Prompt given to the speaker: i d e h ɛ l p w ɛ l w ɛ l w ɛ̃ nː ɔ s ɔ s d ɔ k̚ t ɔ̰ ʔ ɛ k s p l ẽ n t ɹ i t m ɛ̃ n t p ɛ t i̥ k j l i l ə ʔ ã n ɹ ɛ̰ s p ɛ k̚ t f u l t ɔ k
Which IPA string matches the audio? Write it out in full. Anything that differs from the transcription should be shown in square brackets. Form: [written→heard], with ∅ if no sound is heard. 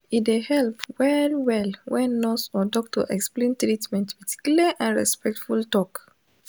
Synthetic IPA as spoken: i d e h ɛ l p w ɛ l w ɛ l w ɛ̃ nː ɔ s ɔ [s→∅] d ɔ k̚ t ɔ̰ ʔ ɛ k s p l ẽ n t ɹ i t m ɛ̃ n t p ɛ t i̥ k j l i l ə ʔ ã n ɹ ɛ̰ s p ɛ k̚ t f u l t ɔ k